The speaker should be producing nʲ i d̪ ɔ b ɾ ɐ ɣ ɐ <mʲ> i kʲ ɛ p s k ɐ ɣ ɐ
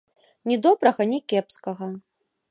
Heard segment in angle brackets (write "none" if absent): nʲ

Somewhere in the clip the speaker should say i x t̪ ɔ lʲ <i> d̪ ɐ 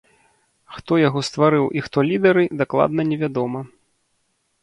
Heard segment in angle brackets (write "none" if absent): i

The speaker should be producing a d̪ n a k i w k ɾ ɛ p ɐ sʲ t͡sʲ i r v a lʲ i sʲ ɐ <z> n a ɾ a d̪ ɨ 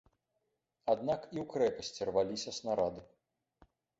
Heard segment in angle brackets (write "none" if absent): s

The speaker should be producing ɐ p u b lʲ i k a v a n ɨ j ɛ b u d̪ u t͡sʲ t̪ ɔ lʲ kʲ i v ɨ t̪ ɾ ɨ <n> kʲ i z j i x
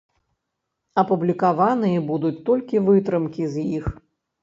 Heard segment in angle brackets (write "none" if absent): m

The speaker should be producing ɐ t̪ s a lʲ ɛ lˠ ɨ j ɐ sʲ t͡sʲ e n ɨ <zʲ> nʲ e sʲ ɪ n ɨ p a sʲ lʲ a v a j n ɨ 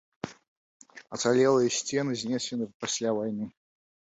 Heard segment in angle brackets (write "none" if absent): zʲ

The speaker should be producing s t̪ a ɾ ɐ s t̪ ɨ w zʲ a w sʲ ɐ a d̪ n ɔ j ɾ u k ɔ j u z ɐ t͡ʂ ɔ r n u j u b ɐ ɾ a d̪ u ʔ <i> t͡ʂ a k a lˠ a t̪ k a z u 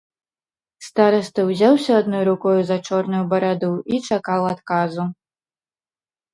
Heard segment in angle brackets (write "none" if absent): i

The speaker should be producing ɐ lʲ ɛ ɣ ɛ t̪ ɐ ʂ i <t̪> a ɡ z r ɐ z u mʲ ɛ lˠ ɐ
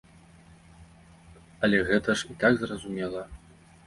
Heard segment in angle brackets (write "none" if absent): t̪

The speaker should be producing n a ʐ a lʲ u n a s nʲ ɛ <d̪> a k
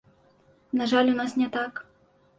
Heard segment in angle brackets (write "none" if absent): t̪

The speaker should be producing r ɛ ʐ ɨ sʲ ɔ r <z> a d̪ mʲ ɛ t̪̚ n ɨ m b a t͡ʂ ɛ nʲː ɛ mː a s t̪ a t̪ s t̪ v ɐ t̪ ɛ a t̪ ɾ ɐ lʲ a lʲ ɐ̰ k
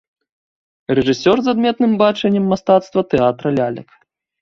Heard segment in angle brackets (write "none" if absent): z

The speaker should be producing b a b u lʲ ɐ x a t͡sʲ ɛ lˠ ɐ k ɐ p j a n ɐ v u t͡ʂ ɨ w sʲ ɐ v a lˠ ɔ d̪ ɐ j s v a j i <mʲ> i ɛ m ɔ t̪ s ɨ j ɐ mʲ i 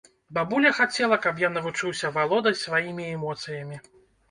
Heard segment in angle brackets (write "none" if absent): mʲ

